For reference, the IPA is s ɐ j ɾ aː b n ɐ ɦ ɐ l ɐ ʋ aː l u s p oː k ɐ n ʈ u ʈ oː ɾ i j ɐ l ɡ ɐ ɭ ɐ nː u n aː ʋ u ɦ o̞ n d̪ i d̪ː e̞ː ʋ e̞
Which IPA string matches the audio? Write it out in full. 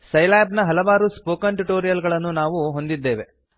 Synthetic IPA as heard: s ɐ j l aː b n ɐ ɦ ɐ l ɐ ʋ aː ɾ u s p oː k ɐ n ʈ u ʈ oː ɾ i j ɐ l ɡ ɐ ɭ ɐ nː u n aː ʋ u ɦ o̞ n d̪ i d̪ː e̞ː ʋ e̞